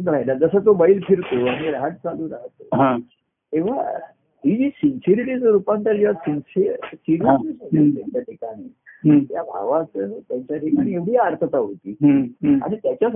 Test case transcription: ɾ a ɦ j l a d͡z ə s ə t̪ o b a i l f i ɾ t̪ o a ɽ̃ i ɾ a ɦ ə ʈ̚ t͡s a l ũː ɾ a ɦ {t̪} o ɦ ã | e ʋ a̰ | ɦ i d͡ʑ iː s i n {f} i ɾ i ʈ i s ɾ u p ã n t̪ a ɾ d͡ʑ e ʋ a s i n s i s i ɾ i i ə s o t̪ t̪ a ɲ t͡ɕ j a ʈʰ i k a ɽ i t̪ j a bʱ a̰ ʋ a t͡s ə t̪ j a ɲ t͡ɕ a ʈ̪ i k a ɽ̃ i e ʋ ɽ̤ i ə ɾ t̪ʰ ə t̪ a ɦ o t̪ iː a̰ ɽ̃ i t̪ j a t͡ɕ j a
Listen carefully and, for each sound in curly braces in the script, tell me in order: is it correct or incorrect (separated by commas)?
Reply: correct, incorrect